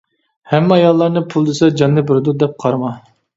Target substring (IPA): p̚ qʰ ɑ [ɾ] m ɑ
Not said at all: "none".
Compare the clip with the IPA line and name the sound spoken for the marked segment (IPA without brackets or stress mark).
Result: ɾ